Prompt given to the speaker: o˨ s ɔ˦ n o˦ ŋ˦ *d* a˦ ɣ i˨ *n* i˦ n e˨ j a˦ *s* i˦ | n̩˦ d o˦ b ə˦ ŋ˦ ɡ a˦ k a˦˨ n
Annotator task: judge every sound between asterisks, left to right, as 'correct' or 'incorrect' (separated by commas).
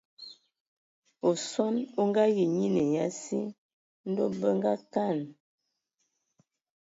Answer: incorrect, incorrect, correct